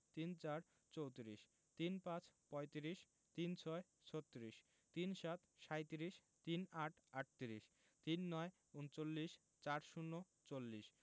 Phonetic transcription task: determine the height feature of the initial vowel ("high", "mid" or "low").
high